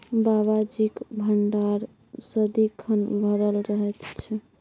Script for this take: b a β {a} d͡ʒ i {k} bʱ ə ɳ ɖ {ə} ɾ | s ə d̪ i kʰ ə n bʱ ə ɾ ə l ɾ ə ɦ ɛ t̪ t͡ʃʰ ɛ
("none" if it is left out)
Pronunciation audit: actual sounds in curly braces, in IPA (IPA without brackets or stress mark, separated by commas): a, k, a